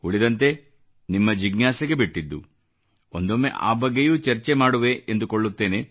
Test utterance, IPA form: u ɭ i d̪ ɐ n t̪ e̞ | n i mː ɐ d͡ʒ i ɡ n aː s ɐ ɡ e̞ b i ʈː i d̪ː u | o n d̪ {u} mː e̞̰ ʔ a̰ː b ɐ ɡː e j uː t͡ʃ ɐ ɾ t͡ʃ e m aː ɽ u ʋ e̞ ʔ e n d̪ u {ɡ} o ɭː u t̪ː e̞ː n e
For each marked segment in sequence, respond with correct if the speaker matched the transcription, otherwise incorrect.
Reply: incorrect, incorrect

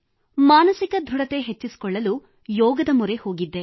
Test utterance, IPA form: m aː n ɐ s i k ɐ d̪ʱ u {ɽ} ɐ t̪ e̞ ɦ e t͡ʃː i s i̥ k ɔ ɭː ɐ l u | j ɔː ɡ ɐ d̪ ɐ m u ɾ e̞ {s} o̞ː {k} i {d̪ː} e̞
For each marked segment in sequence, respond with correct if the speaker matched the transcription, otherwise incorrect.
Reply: correct, incorrect, incorrect, correct

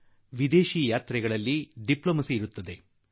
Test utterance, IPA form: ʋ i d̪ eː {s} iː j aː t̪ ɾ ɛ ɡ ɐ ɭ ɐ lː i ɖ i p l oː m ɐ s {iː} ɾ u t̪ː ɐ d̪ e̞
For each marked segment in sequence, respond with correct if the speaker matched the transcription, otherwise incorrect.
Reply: incorrect, correct

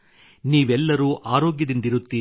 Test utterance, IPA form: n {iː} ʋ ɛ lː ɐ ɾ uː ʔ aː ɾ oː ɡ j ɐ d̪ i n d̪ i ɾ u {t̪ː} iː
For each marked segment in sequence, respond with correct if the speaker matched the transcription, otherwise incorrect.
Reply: correct, correct

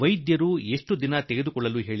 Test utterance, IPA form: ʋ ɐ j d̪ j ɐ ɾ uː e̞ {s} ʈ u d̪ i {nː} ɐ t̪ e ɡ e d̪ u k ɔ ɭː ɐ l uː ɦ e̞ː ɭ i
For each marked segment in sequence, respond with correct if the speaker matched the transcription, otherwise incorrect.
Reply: incorrect, incorrect

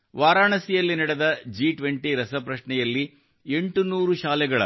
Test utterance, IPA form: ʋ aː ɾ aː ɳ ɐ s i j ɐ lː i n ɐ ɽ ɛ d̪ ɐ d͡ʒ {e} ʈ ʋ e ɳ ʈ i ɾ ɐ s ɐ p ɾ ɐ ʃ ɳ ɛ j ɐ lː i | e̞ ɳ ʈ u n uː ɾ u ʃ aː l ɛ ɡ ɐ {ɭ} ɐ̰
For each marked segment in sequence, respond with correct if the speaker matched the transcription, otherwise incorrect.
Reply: incorrect, correct

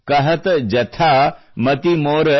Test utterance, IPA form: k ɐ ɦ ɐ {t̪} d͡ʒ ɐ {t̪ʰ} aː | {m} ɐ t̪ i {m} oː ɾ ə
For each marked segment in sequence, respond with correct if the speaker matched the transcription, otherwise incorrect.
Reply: correct, correct, correct, correct

